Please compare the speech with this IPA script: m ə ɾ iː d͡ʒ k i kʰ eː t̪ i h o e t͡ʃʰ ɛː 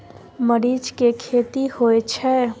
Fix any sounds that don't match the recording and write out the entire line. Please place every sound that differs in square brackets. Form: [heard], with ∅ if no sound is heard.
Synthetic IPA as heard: m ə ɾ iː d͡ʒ k [e] kʰ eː t̪ i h o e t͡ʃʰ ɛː